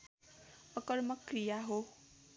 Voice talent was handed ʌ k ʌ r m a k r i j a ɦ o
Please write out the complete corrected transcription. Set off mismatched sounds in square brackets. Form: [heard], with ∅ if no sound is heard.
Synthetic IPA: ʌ k ʌ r m [ʌ] k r i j a ɦ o

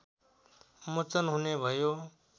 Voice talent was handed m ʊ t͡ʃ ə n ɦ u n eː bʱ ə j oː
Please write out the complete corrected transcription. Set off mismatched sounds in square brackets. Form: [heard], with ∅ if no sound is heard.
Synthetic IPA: m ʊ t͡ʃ ə n ɦ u n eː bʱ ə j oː

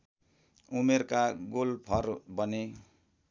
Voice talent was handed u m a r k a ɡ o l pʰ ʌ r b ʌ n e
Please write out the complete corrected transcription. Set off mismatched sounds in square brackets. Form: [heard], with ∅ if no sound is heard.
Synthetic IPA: u m [e] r k a ɡ o l pʰ ʌ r b ʌ n e

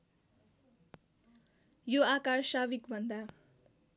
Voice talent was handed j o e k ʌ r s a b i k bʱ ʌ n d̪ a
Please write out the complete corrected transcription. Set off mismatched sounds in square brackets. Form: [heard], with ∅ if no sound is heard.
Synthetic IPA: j o [a] k [a] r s a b i k bʱ ʌ n d̪ a

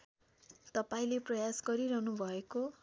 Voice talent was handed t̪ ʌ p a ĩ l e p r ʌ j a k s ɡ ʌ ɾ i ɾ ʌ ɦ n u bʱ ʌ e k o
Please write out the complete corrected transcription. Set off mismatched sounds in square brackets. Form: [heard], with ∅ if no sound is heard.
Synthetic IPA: t̪ ʌ p a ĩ l e p r ʌ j a [∅] s ɡ ʌ ɾ i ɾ ʌ ɦ n u bʱ ʌ e k o

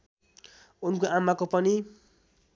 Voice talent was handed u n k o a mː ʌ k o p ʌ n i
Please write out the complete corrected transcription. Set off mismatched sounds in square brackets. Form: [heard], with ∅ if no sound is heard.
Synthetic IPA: u n k o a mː [a] k o p ʌ n i

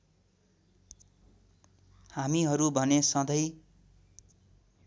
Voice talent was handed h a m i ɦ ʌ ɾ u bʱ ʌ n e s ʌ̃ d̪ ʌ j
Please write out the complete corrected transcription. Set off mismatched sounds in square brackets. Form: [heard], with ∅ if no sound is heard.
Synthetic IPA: h a m i ɦ ʌ ɾ u bʱ ʌ n e s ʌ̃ d̪ ʌ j

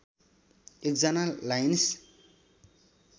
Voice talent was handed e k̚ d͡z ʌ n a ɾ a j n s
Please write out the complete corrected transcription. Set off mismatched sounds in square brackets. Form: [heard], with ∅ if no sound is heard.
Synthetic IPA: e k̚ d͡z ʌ n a [l] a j n s

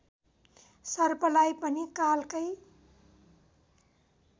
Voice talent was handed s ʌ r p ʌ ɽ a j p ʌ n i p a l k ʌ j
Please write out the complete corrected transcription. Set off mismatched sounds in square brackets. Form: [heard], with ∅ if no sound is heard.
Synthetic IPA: s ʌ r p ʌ [l] a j p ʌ n i [k] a l k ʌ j

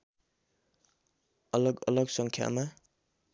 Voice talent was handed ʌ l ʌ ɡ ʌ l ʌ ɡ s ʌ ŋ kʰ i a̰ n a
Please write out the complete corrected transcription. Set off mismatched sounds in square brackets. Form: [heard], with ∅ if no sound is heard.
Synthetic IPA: ʌ l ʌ ɡ ʌ l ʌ ɡ s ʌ ŋ kʰ [j] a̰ [m] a

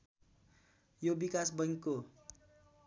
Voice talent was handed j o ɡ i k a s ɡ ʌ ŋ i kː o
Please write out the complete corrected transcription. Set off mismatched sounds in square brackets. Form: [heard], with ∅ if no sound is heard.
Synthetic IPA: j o [b] i k a s [b] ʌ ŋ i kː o

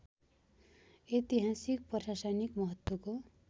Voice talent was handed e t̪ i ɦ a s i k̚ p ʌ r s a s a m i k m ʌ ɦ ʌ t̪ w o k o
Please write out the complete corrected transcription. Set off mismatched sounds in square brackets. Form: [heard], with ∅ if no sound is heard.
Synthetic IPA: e t̪ i ɦ a s i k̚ p ʌ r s a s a [n] i k m ʌ ɦ ʌ t̪ w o k o

